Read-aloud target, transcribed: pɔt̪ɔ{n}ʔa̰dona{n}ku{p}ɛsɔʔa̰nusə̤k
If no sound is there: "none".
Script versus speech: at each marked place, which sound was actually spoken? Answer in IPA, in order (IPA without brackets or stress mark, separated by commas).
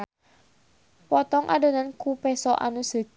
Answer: ŋ, n, p